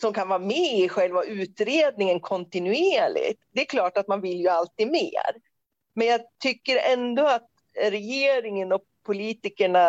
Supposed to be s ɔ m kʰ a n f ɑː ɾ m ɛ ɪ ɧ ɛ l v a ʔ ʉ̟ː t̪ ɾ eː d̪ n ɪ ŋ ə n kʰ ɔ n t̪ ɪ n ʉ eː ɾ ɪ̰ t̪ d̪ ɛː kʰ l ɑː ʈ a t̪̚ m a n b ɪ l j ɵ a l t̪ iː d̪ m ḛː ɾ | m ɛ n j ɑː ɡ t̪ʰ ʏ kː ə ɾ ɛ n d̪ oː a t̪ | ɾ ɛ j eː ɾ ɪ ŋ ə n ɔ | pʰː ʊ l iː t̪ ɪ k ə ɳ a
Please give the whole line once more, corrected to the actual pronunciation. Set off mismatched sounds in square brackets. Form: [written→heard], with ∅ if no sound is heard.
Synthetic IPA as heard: s ɔ m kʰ a n [f→v] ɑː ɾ m ɛ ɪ ɧ ɛ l v a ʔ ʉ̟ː t̪ ɾ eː d̪ n ɪ ŋ ə n kʰ ɔ n t̪ ɪ n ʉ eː [ɾ→ɭ] ɪ̰ t̪ d̪ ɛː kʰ l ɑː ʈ a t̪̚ m a n [b→v] ɪ l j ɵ a l t̪ iː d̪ m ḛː ɾ | m ɛ n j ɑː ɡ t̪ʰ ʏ kː ə ɾ ɛ n d̪ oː a t̪ | ɾ ɛ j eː ɾ ɪ ŋ ə n ɔ | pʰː ʊ l iː t̪ ɪ k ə ɳ a